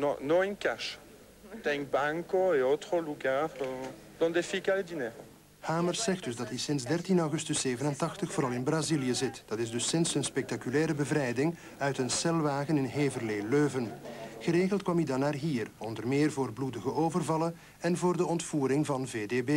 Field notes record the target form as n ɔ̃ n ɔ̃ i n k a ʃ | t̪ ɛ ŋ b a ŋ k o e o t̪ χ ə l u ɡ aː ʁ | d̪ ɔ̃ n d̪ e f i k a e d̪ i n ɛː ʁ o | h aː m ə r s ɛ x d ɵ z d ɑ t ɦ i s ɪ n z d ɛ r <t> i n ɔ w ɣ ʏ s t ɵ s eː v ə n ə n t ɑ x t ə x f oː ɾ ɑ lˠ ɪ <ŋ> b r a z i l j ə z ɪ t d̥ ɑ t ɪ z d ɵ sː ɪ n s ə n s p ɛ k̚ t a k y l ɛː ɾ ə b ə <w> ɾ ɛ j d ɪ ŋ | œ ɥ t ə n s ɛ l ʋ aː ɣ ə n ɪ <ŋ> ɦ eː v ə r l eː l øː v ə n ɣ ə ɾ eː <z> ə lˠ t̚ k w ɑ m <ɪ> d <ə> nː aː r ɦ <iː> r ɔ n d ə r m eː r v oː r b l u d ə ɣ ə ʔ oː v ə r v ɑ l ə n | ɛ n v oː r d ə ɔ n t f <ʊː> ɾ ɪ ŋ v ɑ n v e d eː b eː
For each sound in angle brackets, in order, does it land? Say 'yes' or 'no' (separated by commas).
yes, no, no, no, no, no, no, yes, no